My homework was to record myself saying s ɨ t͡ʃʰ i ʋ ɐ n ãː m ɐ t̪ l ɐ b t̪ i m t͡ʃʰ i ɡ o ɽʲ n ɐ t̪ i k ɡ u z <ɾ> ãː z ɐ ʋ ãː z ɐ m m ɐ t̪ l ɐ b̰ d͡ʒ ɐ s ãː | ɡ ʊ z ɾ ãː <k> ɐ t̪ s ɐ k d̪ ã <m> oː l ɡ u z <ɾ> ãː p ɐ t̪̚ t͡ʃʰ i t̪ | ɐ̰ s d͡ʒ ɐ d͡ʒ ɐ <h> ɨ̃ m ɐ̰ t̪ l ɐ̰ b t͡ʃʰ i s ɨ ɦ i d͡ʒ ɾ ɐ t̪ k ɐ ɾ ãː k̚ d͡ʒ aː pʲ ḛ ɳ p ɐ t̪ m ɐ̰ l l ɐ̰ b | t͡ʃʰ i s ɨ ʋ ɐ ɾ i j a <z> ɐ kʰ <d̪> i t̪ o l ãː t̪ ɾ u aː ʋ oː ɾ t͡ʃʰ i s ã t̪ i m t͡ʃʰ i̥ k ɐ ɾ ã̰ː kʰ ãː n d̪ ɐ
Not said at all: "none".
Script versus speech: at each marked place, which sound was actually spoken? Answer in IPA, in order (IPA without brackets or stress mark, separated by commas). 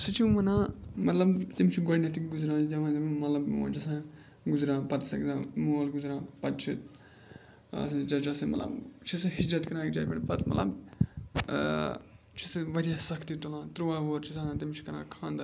ɾ, p, m, ɾ, s, s, t̪